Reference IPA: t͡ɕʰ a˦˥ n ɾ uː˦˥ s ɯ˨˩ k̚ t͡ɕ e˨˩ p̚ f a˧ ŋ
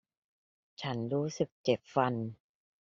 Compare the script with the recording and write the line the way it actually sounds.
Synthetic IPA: t͡ɕʰ a˦˥ n ɾ uː˦˥ s ɯ˨˩ k̚ t͡ɕ e˨˩ p̚ f a˧ n